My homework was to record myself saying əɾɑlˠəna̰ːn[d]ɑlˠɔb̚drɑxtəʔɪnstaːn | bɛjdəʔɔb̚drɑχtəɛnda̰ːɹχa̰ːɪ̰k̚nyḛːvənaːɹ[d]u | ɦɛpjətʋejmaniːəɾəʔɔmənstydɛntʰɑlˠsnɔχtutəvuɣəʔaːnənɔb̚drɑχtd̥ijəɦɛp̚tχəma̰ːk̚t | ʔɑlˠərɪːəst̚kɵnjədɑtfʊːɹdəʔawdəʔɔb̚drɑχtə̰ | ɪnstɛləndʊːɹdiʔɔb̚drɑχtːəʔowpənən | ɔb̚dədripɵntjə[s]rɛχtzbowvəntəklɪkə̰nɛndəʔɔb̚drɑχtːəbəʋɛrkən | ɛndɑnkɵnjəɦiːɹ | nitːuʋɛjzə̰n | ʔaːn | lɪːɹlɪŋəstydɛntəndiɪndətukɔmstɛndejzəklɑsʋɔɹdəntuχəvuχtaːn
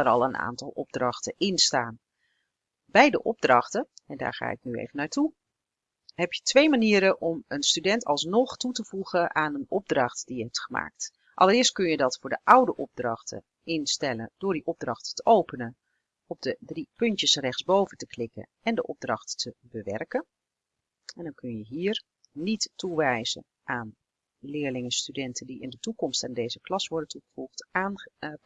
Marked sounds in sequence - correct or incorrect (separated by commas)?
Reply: incorrect, incorrect, correct